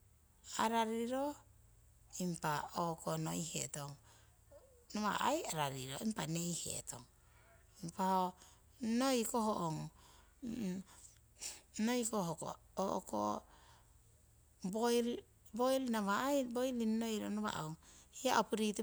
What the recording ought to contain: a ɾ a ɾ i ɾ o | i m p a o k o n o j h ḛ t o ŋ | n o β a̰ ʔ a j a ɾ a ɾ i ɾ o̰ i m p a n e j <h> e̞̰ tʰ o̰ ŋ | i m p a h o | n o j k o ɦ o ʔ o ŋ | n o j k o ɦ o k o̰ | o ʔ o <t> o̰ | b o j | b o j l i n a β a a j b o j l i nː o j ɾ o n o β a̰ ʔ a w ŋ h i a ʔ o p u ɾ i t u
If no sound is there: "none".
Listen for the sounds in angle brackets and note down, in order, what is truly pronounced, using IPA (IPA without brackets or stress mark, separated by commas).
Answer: h, k